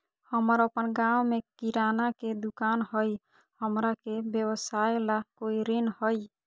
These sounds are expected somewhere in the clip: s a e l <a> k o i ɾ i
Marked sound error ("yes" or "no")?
no